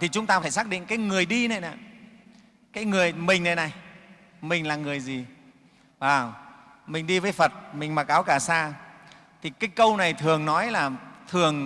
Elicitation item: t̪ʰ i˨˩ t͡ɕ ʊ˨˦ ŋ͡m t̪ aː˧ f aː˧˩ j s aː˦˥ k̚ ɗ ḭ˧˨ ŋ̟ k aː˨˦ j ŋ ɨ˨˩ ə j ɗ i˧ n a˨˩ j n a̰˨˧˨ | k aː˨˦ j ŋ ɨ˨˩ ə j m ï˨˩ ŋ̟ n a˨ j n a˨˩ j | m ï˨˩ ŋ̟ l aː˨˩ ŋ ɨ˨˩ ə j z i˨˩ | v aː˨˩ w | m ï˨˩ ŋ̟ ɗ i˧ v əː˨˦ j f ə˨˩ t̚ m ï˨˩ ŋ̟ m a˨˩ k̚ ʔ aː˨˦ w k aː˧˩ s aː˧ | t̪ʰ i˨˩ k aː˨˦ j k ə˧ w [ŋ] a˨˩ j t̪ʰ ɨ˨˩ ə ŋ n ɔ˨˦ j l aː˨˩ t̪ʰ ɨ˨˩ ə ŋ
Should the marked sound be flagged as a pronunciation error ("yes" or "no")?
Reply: yes